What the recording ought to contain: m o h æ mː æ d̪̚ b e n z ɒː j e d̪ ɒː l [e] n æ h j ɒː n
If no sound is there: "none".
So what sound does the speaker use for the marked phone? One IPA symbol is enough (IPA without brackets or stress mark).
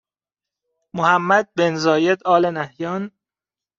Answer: e